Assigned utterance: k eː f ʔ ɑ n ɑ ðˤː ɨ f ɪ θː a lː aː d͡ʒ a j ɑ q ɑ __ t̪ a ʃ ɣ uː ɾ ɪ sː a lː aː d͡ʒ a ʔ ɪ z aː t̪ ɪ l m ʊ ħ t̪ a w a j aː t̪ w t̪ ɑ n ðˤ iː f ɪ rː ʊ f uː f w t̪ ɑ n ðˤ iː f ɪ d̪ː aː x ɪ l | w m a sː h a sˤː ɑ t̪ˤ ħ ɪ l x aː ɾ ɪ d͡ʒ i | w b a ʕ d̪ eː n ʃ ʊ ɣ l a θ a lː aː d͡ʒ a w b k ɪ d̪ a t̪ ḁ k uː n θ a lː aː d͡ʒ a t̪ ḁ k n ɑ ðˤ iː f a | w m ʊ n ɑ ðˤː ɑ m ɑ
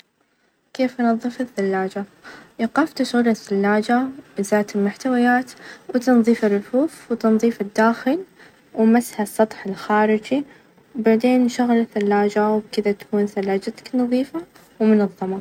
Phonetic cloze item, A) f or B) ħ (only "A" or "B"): A